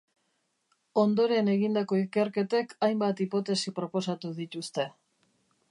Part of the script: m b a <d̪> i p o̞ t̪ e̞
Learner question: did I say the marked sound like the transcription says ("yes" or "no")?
no